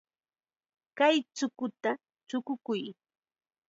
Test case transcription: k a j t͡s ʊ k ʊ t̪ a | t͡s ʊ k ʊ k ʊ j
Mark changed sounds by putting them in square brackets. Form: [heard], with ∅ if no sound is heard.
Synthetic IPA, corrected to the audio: k a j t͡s ʊ k ʊ t̪ a | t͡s ʊ k ʊ k ʊ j